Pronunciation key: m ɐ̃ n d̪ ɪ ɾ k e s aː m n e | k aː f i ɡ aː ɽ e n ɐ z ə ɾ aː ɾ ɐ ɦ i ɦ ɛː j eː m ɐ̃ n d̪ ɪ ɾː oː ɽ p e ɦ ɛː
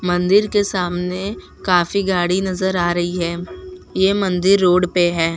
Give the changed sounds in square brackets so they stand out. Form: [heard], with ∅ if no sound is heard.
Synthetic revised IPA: m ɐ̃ n d̪ ɪ ɾ k e s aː m n e | k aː f i ɡ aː ɽ [i] n ɐ z ə ɾ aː ɾ ɐ ɦ i ɦ ɛː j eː m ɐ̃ n d̪ ɪ ɾː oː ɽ p e ɦ ɛː